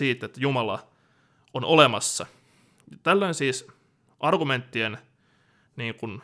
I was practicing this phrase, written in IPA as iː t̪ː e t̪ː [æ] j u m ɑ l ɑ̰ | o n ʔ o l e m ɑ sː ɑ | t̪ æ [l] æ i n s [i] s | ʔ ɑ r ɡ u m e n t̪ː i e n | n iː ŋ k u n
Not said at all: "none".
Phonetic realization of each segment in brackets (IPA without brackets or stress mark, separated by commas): æ, lː, iː